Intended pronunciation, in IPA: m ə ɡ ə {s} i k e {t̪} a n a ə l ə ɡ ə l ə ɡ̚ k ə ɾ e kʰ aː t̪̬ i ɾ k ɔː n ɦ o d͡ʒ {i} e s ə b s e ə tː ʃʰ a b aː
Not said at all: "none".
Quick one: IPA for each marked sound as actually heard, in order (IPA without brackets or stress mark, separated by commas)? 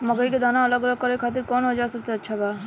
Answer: none, d̪, a